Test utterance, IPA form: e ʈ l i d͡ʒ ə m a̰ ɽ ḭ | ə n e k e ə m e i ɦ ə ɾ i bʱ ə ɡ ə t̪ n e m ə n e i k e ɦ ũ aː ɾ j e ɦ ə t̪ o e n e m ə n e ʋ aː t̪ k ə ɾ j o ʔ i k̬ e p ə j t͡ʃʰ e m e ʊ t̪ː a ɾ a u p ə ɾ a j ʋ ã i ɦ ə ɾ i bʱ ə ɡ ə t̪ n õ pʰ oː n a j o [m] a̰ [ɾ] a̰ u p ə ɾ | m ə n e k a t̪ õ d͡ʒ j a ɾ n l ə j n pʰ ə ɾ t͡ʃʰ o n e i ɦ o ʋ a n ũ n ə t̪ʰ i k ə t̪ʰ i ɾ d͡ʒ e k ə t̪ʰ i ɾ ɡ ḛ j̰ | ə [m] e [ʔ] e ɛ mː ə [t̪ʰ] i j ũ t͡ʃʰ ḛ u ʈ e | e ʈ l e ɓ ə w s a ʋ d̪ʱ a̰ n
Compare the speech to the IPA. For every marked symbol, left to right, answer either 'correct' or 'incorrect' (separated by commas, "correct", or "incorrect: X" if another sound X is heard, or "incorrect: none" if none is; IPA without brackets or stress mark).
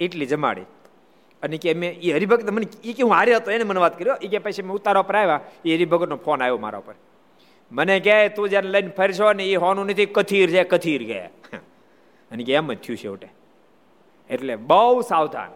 correct, correct, incorrect: n, incorrect: k, correct